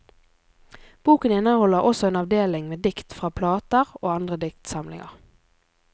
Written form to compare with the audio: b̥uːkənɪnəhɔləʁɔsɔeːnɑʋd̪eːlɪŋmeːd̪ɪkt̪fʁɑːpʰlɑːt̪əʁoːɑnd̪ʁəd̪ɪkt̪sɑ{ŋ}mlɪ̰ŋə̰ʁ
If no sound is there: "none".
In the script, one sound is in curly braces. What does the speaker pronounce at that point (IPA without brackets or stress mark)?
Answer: none